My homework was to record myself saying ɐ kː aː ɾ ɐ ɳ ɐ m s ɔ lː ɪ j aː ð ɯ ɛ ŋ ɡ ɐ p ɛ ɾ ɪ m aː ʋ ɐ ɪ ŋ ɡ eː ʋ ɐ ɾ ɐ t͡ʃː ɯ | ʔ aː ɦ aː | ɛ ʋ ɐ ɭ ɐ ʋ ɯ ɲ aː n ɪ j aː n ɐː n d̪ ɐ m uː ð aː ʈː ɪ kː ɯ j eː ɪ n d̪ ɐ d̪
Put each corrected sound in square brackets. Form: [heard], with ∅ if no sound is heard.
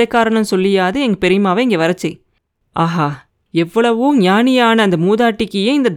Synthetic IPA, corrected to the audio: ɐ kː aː ɾ ɐ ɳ ɐ m s ɔ lː ɪ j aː ð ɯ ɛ ŋ ɡ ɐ p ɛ ɾ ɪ m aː ʋ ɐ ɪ ŋ ɡ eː ʋ ɐ ɾ ɐ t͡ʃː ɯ | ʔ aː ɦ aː | ɛ [ʋː] ɐ ɭ ɐ ʋ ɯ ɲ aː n ɪ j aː n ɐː n d̪ ɐ m uː ð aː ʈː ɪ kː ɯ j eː ɪ n d̪ ɐ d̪